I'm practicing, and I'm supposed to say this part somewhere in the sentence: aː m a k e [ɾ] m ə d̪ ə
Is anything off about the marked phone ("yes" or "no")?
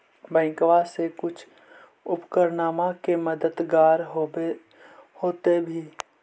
yes